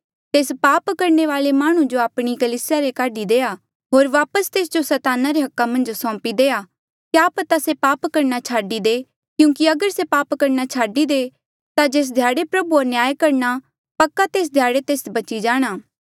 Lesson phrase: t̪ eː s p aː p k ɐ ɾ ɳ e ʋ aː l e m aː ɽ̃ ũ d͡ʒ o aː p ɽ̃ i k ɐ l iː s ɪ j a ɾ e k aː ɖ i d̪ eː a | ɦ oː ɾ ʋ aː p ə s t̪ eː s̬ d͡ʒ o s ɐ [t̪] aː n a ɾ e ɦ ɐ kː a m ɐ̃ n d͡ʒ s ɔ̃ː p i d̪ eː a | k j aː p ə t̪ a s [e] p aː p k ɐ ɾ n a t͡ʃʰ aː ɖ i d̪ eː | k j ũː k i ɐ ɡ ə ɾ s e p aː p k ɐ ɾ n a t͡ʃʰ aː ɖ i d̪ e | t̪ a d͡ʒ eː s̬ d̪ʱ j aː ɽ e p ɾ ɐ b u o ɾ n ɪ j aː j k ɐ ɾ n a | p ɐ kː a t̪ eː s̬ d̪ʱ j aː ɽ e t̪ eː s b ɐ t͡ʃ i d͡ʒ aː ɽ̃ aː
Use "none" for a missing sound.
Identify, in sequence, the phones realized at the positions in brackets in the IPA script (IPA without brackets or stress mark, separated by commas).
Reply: t̪, e